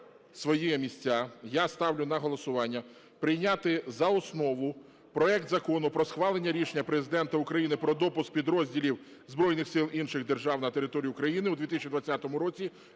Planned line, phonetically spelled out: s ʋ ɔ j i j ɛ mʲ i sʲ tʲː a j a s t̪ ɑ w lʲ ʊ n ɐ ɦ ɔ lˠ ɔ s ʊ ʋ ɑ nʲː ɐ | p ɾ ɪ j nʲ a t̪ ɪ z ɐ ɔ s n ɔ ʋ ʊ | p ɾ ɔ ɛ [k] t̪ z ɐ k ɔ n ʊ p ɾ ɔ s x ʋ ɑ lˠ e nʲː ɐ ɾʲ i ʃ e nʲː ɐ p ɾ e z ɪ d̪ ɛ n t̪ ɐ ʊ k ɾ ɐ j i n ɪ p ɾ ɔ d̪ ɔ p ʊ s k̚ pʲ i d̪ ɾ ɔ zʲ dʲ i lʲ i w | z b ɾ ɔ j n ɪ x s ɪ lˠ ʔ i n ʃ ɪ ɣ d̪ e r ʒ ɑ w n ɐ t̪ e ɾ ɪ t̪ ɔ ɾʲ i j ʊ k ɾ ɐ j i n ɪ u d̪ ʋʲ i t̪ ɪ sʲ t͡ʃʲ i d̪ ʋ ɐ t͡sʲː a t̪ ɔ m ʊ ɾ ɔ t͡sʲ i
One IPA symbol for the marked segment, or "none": k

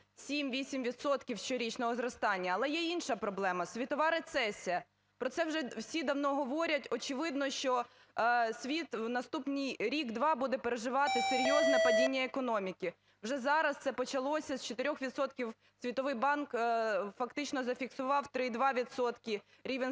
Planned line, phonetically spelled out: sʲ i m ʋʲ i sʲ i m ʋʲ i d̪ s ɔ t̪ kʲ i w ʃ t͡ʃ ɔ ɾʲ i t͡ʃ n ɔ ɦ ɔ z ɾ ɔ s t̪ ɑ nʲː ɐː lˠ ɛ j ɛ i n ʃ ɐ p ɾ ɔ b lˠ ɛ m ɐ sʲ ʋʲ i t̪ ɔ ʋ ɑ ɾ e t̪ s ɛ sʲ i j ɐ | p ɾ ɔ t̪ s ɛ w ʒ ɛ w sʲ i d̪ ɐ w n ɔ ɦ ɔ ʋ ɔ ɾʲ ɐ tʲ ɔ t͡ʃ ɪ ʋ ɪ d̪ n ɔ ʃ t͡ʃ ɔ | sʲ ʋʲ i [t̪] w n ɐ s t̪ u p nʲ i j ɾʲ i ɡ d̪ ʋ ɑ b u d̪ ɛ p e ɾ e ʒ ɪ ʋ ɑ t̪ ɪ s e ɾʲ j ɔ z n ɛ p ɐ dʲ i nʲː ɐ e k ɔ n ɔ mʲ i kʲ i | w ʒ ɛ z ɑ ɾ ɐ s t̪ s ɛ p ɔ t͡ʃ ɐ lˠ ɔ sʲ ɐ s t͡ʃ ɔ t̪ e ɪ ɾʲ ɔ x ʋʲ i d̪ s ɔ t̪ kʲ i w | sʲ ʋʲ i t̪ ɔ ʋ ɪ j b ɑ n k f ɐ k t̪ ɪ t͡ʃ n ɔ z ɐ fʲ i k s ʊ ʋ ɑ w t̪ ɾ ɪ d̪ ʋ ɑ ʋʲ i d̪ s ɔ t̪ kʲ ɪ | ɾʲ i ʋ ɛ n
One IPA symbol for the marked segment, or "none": t̪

